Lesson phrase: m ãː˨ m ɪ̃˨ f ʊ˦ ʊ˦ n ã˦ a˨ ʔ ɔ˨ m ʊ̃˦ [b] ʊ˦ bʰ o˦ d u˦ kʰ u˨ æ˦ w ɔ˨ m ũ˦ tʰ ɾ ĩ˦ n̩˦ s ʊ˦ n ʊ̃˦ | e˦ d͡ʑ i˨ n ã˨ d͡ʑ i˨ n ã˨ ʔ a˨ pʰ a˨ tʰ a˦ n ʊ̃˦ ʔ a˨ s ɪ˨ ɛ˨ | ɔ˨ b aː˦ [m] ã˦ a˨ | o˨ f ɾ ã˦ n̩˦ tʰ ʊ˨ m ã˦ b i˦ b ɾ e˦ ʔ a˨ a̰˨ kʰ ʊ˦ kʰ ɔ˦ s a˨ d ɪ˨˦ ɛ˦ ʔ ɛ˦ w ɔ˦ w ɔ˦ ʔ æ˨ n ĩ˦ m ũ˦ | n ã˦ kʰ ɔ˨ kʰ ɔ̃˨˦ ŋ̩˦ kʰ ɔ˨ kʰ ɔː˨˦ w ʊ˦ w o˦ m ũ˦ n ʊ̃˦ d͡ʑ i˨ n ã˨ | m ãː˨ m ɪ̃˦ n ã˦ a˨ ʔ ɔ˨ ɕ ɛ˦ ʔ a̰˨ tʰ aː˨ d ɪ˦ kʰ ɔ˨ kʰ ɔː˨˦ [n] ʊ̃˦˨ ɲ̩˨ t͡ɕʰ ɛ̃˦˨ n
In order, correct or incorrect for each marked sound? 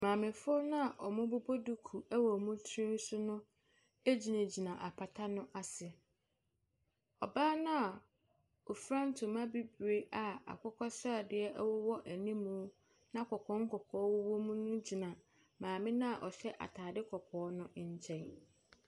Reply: correct, incorrect: n, correct

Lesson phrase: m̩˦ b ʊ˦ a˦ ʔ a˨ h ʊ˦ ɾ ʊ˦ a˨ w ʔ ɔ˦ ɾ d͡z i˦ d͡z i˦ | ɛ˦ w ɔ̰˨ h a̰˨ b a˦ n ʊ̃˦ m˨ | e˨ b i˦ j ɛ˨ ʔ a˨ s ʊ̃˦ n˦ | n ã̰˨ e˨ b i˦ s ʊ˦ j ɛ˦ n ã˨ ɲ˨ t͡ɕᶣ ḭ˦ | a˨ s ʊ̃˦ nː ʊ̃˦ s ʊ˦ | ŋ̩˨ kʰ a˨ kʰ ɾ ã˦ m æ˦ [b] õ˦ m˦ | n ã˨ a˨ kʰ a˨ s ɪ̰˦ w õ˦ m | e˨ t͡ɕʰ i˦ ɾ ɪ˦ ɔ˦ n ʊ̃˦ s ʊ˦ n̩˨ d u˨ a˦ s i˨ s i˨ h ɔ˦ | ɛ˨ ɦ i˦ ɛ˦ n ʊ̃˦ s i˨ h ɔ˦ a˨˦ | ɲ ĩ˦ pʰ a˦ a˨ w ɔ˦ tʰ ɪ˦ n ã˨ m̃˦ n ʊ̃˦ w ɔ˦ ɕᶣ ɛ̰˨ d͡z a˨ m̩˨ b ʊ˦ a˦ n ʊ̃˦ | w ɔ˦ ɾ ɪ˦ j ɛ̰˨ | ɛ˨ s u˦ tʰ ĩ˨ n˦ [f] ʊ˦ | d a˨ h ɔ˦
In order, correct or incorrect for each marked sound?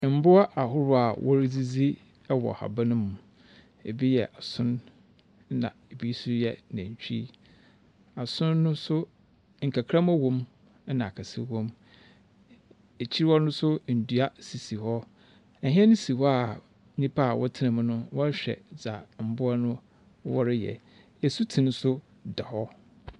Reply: incorrect: w, incorrect: s

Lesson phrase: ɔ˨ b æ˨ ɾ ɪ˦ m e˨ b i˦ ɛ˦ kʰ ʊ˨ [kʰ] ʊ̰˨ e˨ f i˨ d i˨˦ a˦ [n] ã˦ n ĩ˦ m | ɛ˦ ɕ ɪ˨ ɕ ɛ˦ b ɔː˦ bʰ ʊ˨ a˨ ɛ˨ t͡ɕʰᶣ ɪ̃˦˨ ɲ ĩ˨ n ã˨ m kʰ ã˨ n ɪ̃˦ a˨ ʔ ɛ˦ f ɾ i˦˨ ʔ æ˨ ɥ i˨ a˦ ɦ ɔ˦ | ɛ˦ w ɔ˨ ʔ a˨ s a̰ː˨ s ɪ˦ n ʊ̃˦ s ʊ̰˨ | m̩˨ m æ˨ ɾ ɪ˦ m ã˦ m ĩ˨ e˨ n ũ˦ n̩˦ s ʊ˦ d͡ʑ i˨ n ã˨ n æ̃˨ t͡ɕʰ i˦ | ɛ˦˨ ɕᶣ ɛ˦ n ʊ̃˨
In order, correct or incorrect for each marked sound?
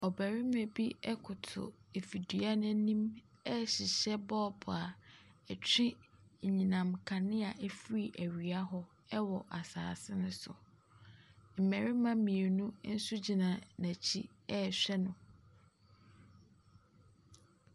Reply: incorrect: tʰ, correct

